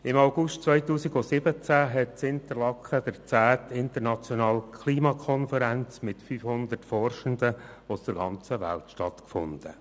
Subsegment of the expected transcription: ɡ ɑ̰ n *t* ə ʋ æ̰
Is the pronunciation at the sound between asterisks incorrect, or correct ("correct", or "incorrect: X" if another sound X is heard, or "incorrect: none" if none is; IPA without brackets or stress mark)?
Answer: incorrect: t͡s